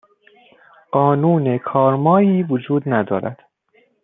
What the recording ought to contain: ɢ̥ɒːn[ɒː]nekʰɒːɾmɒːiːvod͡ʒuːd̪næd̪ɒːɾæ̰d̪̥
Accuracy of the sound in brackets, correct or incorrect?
incorrect